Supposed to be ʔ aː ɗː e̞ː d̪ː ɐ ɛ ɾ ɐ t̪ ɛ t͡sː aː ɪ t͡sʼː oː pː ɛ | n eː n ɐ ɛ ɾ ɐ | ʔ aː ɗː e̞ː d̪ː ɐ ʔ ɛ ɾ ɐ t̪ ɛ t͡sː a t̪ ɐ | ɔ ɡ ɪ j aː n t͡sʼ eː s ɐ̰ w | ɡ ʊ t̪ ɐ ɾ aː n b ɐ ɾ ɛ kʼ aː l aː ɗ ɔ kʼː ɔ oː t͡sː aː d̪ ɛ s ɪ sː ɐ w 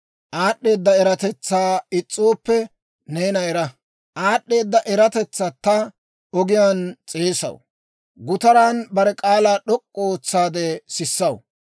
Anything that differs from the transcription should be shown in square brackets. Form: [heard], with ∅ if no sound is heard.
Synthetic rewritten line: ʔ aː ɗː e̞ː d̪ː ɐ ɛ ɾ ɐ t̪ ɛ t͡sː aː ɪ t͡sʼː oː pː ɛ | n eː n ɐ ɛ ɾ ɐ | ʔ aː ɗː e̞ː d̪ː ɐ ʔ ɛ ɾ ɐ t̪ ɛ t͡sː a t̪ ɐ | ɔ ɡ ɪ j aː n t͡sʼ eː s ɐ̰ w | ɡ ʊ t̪ ɐ ɾ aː n b ɐ ɾ ɛ kʼ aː l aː ɗ ɔ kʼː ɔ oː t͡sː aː d̪ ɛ s ɪ sː ɐ w

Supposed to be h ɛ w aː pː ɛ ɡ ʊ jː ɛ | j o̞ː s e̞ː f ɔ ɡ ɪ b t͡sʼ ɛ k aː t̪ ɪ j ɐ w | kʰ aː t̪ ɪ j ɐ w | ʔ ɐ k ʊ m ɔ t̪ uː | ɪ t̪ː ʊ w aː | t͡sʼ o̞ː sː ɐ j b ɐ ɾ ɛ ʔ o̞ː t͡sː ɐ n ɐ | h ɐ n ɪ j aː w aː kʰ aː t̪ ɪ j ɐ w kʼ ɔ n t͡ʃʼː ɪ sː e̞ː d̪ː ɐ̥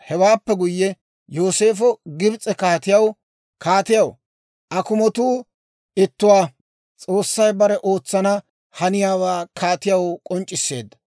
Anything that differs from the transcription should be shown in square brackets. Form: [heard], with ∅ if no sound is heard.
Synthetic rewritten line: h ɛ w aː pː ɛ ɡ ʊ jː ɛ | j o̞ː s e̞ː f ɔ ɡ ɪ b t͡sʼ ɛ k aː t̪ ɪ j ɐ w | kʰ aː t̪ ɪ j ɐ w | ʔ ɐ k ʊ m ɔ t̪ uː | ɪ t̪ː ʊ w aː | t͡sʼ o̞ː sː ɐ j b ɐ ɾ ɛ ʔ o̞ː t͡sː ɐ n ɐ | h ɐ n ɪ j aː w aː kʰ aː t̪ ɪ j ɐ w kʼ ɔ n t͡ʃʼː ɪ sː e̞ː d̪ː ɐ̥

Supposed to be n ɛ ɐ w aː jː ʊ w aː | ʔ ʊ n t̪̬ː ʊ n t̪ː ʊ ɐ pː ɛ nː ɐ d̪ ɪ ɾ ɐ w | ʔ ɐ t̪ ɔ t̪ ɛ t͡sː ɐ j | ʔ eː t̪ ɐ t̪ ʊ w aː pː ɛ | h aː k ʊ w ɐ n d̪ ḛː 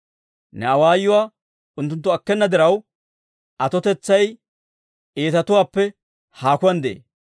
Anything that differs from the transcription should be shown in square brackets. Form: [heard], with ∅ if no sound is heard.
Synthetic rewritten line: n ɛ ɐ w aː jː ʊ w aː | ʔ ʊ n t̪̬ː ʊ n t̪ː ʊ ɐ [kː] ɛ nː ɐ d̪ ɪ ɾ ɐ w | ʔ ɐ t̪ ɔ t̪ ɛ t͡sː ɐ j | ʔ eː t̪ ɐ t̪ ʊ w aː pː ɛ | h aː k ʊ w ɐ n d̪ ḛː

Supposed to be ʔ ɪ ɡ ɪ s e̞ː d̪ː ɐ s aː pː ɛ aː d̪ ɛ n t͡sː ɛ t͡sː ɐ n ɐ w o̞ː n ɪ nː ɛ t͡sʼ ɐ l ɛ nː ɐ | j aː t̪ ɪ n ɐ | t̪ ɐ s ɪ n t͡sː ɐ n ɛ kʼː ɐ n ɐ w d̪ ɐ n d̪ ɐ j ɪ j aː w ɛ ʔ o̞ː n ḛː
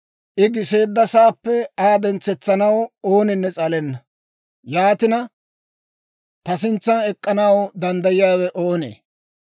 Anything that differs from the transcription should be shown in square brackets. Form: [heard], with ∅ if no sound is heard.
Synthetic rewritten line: ʔ ɪ ɡ ɪ s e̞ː d̪ː ɐ s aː pː ɛ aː d̪ ɛ n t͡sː ɛ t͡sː ɐ n ɐ w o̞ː n ɪ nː ɛ t͡sʼ ɐ l ɛ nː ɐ | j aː t̪ ɪ n ɐ | t̪ ɐ s ɪ n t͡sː ɐ n ɛ kʼː ɐ n ɐ w d̪ ɐ n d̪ ɐ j ɪ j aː w ɛ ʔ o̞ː n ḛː

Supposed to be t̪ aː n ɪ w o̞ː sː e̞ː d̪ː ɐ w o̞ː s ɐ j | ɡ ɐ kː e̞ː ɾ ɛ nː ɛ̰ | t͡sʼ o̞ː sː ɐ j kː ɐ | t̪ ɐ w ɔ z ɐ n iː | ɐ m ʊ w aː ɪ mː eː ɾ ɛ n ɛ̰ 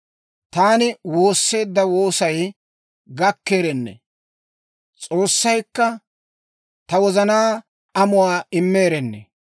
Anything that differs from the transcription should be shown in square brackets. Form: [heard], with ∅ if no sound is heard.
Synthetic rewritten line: t̪ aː n ɪ w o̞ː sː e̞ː d̪ː ɐ w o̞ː s ɐ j | ɡ ɐ kː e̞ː ɾ ɛ nː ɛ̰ | t͡sʼ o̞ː sː ɐ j kː ɐ | t̪ ɐ w ɔ z ɐ n [aː] | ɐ m ʊ w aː ɪ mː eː ɾ ɛ [nː] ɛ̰

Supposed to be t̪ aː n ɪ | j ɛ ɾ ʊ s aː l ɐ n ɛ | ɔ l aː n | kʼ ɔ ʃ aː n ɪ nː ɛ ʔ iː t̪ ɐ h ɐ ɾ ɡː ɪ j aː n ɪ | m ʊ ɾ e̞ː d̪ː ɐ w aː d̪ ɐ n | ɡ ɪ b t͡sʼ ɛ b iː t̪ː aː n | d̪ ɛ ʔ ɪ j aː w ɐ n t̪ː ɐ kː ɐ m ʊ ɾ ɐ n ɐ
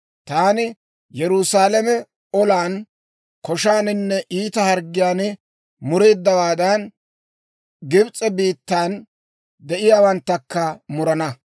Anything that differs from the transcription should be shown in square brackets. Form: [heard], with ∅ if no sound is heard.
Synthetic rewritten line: t̪ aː n ɪ | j ɛ ɾ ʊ s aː l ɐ [m] ɛ | ɔ l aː n | [k] ɔ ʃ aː n ɪ nː ɛ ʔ iː t̪ ɐ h ɐ ɾ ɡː ɪ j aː n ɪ | m ʊ ɾ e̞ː d̪ː ɐ w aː d̪ ɐ n | ɡ ɪ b t͡sʼ ɛ b iː t̪ː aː n | d̪ ɛ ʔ ɪ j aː w ɐ n t̪ː ɐ kː ɐ m ʊ ɾ ɐ n ɐ

